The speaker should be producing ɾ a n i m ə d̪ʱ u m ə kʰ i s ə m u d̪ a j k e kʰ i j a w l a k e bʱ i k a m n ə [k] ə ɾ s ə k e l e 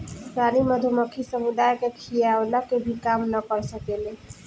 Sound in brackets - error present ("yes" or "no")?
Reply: no